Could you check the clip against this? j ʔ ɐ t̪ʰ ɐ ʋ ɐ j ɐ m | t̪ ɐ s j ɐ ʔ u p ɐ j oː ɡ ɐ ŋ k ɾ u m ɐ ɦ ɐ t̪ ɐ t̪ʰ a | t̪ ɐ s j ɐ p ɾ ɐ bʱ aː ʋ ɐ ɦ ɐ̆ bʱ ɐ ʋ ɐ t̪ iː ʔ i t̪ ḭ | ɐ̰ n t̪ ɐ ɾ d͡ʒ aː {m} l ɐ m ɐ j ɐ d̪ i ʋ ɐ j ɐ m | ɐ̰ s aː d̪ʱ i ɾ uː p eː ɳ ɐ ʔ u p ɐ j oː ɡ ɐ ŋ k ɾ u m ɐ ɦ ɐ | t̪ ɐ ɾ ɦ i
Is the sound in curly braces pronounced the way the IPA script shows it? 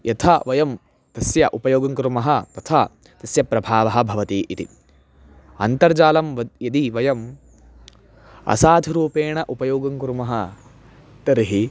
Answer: no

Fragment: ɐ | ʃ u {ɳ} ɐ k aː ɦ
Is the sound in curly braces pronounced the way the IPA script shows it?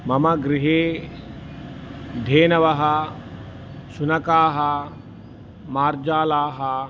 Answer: no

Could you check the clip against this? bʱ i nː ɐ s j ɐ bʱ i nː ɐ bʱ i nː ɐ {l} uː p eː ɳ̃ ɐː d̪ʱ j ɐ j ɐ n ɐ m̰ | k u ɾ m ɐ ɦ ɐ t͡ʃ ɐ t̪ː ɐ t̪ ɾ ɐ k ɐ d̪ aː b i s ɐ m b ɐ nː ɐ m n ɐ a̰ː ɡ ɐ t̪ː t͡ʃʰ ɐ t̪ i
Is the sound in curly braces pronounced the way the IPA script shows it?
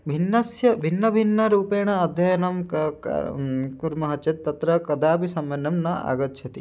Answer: no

